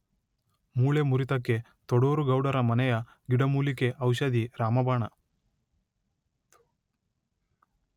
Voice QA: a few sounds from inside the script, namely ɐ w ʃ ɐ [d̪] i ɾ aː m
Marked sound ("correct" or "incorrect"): correct